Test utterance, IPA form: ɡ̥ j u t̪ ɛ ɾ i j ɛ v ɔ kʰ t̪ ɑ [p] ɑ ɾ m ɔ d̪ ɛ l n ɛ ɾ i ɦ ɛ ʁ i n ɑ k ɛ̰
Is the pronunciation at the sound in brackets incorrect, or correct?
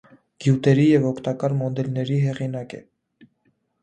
incorrect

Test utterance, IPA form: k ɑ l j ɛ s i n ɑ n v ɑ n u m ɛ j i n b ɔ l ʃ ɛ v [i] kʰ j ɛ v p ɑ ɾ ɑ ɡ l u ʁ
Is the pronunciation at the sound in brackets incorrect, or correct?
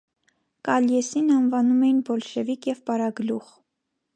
correct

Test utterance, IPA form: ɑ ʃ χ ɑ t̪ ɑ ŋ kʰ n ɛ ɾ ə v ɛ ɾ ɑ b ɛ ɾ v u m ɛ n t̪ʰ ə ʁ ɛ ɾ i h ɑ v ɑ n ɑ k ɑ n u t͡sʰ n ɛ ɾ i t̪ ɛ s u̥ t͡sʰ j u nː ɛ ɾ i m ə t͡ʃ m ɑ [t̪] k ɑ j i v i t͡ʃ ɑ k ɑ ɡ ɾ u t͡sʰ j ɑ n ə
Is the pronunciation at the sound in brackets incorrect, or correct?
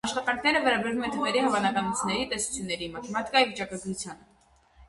correct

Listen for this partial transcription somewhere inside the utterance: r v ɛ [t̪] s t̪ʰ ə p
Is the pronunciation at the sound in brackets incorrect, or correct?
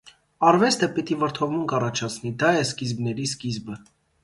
incorrect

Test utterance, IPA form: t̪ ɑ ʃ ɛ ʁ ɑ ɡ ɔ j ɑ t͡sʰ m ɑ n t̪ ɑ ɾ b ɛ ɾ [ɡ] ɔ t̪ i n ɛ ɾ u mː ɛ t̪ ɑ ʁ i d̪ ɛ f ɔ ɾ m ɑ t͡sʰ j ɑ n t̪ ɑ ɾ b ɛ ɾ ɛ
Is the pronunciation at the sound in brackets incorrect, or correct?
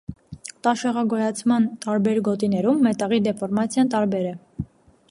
correct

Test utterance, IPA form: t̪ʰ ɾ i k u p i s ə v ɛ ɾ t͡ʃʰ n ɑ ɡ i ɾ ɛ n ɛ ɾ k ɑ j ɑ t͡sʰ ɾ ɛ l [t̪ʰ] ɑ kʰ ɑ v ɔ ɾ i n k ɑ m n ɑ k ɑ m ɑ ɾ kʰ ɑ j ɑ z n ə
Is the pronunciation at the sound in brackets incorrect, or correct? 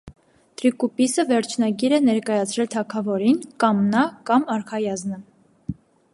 correct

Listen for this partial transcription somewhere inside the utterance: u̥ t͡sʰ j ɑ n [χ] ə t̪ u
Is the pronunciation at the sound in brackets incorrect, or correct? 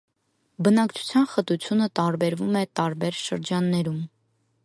correct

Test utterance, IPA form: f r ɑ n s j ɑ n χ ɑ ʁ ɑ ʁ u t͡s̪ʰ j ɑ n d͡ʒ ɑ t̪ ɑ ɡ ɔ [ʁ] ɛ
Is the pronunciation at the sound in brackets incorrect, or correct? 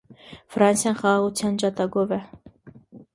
incorrect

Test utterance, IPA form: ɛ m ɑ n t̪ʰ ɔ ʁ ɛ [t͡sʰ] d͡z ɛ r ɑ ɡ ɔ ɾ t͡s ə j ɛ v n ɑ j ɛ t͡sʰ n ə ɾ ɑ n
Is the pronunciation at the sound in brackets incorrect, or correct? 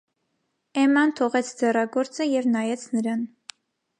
correct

